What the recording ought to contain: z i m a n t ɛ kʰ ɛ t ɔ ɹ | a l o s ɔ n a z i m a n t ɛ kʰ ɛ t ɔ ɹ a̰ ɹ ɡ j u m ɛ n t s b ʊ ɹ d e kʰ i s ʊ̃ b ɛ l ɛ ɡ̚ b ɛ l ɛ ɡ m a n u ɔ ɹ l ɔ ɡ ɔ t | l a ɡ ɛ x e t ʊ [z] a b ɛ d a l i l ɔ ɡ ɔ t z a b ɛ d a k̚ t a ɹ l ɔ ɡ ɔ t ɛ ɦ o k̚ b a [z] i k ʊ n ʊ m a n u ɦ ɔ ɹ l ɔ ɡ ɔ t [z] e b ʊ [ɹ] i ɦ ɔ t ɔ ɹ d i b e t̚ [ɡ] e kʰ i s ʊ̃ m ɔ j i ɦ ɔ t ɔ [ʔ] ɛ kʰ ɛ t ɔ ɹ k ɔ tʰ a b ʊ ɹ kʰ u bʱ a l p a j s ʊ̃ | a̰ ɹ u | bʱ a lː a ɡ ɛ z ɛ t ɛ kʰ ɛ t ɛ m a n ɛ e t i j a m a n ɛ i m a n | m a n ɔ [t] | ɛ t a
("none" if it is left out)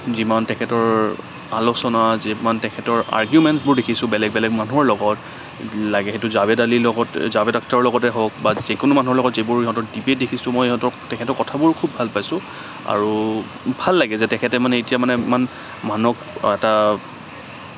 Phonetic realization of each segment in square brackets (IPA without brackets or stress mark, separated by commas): z, z, z, ɹ, d, t, k